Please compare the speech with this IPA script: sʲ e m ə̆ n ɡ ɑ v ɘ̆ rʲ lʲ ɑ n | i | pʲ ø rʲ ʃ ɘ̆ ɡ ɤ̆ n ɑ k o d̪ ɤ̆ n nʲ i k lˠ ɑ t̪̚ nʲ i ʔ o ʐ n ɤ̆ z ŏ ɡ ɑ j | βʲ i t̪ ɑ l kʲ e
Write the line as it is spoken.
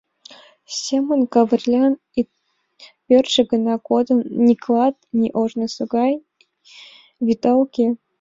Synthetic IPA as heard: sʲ e m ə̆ n k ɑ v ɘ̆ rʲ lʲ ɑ n | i | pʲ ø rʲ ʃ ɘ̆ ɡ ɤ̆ n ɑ k o d̪ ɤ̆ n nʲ i k lˠ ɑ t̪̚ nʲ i ʔ o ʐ n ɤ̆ s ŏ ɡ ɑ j | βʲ i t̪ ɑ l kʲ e